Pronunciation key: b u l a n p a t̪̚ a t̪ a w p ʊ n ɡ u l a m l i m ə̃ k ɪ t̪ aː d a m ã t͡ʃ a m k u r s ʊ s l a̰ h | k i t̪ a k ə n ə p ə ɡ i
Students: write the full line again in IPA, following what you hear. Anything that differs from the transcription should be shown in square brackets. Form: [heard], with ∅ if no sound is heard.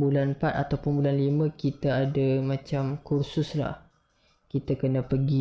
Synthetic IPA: b u l a n p a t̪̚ a t̪ a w p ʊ n [b] u l a [n] l i m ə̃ k [i] t̪ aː d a m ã t͡ʃ a m k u r s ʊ s l a̰ h | k i t̪ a k ə n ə p ə ɡ i

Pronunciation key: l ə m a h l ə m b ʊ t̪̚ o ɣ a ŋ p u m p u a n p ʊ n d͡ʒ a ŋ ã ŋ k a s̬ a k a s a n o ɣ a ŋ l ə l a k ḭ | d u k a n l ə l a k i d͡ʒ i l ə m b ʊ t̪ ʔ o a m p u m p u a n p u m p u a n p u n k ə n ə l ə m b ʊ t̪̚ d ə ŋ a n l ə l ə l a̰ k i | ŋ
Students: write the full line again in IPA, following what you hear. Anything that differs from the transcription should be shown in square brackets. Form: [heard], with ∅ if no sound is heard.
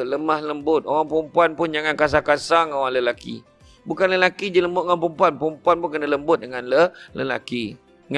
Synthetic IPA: l ə m a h l ə m b ʊ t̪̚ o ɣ a ŋ p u m p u a n p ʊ n d͡ʒ a ŋ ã [n] k a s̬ a k a s a [ŋ] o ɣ a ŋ l ə l a k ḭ | [b] u k a n l ə l a k i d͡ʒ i l ə m b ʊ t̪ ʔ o a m p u m p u a n p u m p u a n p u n k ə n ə l ə m b ʊ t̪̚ d ə ŋ a n l ə l ə l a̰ k i | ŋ

